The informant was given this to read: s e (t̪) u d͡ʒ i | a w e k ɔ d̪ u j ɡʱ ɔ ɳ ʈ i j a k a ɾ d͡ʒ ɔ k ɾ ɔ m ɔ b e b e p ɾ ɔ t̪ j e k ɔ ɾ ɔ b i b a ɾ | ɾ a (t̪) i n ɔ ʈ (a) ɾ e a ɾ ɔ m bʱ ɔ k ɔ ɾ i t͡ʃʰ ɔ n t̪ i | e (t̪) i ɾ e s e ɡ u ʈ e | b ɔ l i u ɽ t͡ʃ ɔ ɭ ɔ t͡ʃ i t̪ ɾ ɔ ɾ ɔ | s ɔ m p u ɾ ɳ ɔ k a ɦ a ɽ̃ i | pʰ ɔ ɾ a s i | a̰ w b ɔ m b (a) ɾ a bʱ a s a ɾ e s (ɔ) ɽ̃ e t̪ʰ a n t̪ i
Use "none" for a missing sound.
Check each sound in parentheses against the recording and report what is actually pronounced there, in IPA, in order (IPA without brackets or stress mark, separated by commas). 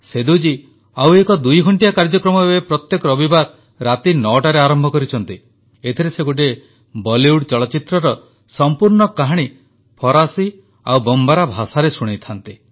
d̪, t̪, a, t̪ʰ, a, u